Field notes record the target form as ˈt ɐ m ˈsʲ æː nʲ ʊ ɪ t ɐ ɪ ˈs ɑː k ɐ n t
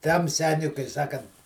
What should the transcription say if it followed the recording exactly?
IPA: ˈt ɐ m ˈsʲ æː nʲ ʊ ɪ k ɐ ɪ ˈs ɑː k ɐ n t